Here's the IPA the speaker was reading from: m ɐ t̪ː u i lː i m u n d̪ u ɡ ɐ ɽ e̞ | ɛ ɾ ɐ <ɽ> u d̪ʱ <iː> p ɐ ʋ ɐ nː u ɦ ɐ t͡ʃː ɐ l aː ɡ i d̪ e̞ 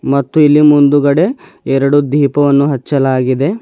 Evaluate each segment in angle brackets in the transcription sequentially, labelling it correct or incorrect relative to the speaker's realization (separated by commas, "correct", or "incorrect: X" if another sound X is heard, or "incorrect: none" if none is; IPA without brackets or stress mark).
correct, correct